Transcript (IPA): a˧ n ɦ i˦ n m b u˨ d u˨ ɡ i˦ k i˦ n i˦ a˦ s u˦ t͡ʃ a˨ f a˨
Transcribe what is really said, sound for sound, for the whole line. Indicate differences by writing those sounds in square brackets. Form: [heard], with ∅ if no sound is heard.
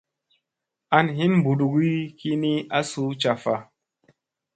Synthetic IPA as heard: a˧ n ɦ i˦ n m b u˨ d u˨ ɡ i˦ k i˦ n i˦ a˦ s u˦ t͡ʃ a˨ f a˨